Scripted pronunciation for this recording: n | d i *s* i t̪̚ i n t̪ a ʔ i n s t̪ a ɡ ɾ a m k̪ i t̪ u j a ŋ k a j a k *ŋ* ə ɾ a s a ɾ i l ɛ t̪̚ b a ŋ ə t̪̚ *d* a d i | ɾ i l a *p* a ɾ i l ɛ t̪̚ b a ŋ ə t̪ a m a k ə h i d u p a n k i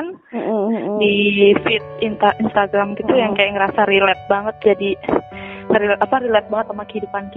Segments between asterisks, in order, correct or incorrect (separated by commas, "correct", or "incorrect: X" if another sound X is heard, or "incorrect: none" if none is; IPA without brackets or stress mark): incorrect: f, correct, incorrect: d͡ʒ, correct